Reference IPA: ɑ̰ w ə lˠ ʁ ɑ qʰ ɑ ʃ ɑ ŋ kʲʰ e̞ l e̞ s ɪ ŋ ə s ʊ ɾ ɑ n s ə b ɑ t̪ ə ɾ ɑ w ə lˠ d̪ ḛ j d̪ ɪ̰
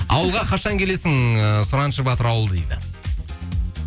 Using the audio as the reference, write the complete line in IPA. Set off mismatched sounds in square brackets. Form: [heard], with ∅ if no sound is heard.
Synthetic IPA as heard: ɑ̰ w ə lˠ ʁ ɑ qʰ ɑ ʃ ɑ ŋ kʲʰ e̞ l e̞ s ɪ ŋ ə s ʊ ɾ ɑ n [ʃ] ə b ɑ t̪ ə ɾ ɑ w ə lˠ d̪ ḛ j d̪ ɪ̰